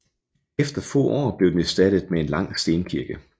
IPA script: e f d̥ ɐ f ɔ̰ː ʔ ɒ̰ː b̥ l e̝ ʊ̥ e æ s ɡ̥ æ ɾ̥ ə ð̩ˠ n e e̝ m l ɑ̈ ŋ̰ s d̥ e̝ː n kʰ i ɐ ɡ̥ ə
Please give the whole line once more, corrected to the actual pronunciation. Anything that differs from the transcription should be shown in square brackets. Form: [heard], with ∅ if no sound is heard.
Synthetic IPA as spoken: e f d̥ ɐ f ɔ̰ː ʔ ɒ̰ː b̥ l e̝ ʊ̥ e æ s [d̥] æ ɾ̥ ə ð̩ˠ [m] e e̝ [n] l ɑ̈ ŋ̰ s d̥ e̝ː n kʰ i ɐ ɡ̥ ə